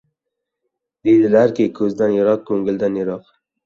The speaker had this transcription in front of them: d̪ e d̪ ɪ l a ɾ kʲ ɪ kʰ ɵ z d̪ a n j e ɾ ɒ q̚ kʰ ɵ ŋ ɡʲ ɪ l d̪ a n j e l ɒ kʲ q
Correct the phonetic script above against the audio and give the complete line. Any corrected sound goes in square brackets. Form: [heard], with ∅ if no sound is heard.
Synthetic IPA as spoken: d̪ e d̪ ɪ l a ɾ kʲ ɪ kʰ ɵ z d̪ a n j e ɾ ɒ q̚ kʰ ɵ ŋ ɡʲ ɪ l d̪ a n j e [ɾ] ɒ [∅] q